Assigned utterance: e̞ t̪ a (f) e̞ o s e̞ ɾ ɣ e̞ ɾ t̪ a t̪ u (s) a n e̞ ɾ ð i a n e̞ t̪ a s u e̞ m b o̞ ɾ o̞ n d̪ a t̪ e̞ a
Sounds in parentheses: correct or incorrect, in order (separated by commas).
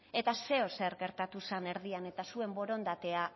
incorrect, correct